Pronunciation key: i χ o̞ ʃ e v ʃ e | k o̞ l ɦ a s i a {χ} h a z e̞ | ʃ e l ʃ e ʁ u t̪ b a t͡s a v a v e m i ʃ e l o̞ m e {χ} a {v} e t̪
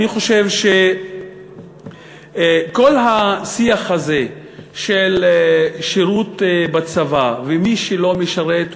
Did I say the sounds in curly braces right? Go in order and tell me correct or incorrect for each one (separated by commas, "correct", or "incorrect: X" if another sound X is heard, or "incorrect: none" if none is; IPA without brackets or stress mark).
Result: correct, incorrect: ʃ, incorrect: ʁ